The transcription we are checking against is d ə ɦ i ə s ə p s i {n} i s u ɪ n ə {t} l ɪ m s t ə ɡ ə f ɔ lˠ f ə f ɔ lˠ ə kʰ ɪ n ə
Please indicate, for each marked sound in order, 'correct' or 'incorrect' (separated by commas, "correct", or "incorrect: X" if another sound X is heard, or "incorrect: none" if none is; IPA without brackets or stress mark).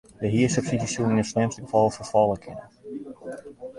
incorrect: d, incorrect: s